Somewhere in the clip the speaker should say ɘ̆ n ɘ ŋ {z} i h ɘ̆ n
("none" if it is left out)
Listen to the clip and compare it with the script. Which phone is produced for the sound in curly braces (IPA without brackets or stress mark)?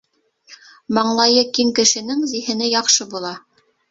z